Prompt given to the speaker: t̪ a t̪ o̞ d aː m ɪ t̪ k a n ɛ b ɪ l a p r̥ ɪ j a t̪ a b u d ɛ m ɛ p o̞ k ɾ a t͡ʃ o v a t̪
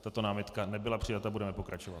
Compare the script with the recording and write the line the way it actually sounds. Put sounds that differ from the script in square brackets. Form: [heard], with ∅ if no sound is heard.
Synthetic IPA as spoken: t̪ a t̪ o̞ [n] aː m ɪ t̪ k a n ɛ b ɪ l a p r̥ ɪ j a t̪ a b u d ɛ m ɛ p o̞ k ɾ a t͡ʃ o v a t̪